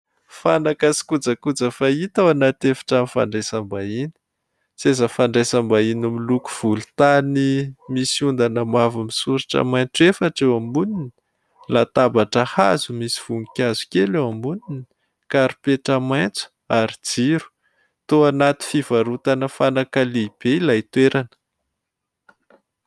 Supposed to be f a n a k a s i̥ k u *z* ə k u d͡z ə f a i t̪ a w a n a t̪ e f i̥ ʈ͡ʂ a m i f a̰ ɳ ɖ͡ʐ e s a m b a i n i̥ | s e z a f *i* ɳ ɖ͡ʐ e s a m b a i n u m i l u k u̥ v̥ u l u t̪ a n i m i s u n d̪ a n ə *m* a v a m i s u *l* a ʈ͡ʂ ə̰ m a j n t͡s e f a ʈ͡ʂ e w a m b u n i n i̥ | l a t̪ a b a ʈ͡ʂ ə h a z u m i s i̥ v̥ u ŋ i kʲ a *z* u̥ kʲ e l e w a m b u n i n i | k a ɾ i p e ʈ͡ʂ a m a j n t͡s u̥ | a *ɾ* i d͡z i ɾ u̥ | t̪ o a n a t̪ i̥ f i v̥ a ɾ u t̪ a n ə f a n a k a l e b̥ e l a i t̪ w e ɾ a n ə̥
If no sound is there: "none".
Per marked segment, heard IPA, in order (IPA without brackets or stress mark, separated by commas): d͡z, a, m, ɾ, z, ɾ